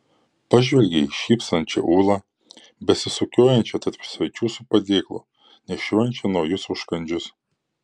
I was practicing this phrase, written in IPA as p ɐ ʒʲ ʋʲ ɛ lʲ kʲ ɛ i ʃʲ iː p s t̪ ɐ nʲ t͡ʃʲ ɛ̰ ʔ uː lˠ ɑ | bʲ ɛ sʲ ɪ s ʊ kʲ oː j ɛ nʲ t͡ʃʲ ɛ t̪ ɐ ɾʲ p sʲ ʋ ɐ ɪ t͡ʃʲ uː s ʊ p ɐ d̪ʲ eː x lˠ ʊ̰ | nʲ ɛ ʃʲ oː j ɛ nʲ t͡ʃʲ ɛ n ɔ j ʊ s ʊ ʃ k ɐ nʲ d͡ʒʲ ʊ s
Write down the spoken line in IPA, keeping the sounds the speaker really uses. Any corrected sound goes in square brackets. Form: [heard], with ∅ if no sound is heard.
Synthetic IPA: p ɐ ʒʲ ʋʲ ɛ lʲ [ɡʲ] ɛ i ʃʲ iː p s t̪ ɐ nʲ t͡ʃʲ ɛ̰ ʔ uː lˠ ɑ | bʲ ɛ sʲ ɪ s ʊ kʲ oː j ɛ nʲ t͡ʃʲ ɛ t̪ ɐ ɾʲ p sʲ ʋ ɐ ɪ t͡ʃʲ uː s ʊ p ɐ d̪ʲ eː [k] lˠ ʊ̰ | nʲ ɛ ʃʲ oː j ɛ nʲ t͡ʃʲ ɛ n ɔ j ʊ s ʊ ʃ k ɐ nʲ d͡ʒʲ ʊ s

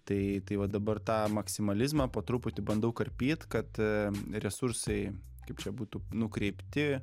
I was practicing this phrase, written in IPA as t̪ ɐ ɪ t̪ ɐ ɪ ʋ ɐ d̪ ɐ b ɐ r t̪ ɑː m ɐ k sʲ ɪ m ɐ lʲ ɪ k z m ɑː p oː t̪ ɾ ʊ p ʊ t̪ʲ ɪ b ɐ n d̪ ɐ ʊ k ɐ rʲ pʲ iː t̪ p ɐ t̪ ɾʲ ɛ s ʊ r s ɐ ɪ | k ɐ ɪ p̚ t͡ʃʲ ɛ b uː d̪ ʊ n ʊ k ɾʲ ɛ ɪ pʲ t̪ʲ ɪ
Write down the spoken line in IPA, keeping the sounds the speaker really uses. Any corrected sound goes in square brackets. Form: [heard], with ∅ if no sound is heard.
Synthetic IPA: t̪ ɐ ɪ t̪ ɐ ɪ ʋ ɐ d̪ ɐ b ɐ r t̪ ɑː m ɐ k sʲ ɪ m ɐ lʲ ɪ [∅] z m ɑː p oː t̪ ɾ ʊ p ʊ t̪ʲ ɪ b ɐ n d̪ ɐ ʊ k ɐ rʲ pʲ iː t̪ [k] ɐ t̪ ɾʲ ɛ s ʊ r s ɐ ɪ | k ɐ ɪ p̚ t͡ʃʲ ɛ b uː [t̪] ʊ n ʊ k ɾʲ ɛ ɪ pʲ t̪ʲ ɪ

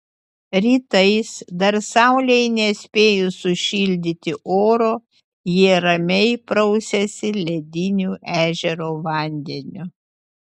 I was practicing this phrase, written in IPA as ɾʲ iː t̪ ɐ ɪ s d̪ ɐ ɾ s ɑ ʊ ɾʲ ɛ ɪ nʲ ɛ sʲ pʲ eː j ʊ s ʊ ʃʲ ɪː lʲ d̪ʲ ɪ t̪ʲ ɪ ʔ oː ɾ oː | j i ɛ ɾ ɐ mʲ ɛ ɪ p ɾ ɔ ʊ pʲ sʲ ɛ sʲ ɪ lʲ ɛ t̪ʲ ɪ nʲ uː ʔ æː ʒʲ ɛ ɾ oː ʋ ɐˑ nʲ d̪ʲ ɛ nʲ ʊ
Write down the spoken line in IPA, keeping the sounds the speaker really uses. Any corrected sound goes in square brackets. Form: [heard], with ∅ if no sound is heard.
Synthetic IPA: ɾʲ iː t̪ ɐ ɪ s d̪ ɐ ɾ s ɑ ʊ [lʲ] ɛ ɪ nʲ ɛ sʲ pʲ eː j ʊ s ʊ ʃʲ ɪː lʲ d̪ʲ ɪ t̪ʲ ɪ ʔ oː ɾ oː | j i ɛ ɾ ɐ mʲ ɛ ɪ p ɾ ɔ ʊ [∅] sʲ ɛ sʲ ɪ lʲ ɛ [d̪ʲ] ɪ nʲ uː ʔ æː ʒʲ ɛ ɾ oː ʋ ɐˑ nʲ d̪ʲ ɛ nʲ ʊ

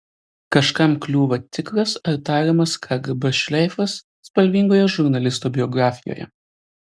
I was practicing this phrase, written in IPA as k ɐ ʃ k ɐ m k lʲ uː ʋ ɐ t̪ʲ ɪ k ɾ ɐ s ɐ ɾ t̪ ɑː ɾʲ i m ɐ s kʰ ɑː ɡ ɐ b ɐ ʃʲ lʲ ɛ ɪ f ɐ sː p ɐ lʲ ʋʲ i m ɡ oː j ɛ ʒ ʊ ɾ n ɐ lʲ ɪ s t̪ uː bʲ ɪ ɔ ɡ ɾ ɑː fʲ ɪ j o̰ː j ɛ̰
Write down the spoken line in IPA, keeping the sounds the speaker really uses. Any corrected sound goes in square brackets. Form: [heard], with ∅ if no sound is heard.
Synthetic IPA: k ɐ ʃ k ɐ m k lʲ uː ʋ ɐ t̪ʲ ɪ k ɾ ɐ s ɐ ɾ t̪ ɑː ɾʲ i m ɐ s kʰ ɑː ɡ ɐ b ɐ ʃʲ lʲ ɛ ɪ f ɐ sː p ɐ lʲ ʋʲ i [ŋ] ɡ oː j ɛ ʒ ʊ ɾ n ɐ lʲ ɪ s t̪ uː bʲ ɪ ɔ ɡ ɾ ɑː fʲ ɪ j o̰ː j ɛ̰

